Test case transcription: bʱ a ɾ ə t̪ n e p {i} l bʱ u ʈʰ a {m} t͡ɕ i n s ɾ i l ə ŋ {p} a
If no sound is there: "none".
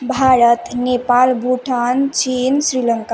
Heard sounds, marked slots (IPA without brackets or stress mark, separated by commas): a, n, k